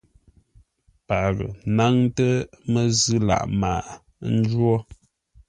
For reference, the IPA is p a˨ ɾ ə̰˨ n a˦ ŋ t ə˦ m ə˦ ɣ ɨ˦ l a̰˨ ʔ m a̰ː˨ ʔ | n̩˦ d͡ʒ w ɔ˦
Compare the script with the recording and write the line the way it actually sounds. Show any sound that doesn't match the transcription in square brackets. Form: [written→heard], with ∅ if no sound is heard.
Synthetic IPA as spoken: p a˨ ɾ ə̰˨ n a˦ ŋ t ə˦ m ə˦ [ɣ→z] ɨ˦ l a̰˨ ʔ m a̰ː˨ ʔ | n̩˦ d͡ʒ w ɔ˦

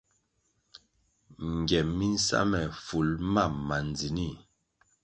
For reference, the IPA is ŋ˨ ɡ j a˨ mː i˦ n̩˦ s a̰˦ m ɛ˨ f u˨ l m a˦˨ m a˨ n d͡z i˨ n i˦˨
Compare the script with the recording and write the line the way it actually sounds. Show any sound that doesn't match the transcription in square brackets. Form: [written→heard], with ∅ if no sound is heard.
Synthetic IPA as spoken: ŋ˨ ɡ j [a˨→ɛ˨] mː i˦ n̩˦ s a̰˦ m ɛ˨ f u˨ l m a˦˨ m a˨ n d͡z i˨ n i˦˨

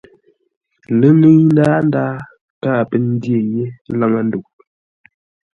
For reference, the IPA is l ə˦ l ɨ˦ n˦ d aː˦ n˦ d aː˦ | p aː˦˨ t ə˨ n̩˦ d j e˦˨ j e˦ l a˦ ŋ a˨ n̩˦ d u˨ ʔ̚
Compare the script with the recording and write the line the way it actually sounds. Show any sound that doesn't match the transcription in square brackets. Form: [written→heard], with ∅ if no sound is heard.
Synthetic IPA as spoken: l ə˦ l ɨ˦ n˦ d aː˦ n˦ d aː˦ | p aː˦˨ [t→p] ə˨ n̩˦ d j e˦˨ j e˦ l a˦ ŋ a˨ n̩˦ d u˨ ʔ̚

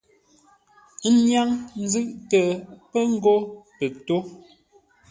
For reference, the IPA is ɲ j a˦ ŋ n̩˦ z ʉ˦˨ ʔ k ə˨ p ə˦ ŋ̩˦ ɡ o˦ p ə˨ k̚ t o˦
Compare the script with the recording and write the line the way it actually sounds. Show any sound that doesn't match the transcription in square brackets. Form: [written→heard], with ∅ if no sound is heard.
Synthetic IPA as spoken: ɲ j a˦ ŋ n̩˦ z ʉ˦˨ ʔ [k→t] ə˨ p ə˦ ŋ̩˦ ɡ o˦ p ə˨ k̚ t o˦

